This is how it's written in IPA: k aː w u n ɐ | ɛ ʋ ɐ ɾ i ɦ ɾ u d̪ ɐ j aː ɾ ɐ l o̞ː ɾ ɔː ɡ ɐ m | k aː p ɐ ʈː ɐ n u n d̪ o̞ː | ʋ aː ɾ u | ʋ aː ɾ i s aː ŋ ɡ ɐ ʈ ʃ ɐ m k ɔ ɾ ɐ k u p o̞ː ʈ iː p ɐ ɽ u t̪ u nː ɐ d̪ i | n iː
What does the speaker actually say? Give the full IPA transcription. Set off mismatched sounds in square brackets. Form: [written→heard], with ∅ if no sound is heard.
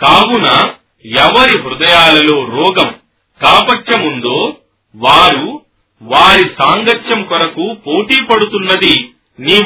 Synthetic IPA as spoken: k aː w u n ɐ | ɛ ʋ ɐ ɾ i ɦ ɾ u d̪ ɐ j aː [ɾ→l] ɐ l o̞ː ɾ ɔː ɡ ɐ m | k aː p ɐ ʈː ɐ [n→m] u n d̪ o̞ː | ʋ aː ɾ u | ʋ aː ɾ i s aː ŋ ɡ ɐ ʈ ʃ ɐ m k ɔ ɾ ɐ k u p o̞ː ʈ iː p ɐ ɽ u t̪ u nː ɐ d̪ i | n iː